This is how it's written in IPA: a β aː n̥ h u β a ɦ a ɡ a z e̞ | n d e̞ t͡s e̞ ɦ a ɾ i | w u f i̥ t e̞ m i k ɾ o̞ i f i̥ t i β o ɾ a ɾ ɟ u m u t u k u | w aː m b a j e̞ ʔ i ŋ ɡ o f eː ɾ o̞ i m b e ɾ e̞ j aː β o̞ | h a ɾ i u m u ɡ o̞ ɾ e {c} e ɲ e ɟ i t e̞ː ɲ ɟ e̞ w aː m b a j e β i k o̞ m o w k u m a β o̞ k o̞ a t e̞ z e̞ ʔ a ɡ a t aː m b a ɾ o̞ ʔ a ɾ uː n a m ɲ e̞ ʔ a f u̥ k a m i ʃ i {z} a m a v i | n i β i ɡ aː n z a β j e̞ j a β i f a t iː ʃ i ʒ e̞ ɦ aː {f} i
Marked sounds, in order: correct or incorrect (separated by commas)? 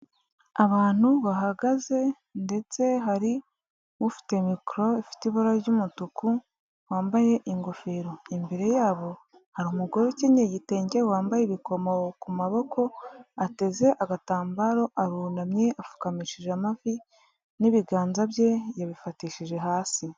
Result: correct, incorrect, incorrect